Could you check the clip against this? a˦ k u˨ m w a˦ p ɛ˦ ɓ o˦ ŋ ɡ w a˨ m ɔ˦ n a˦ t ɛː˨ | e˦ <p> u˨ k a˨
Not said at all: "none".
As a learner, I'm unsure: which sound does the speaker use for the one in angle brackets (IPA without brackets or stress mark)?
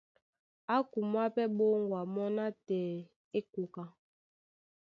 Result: k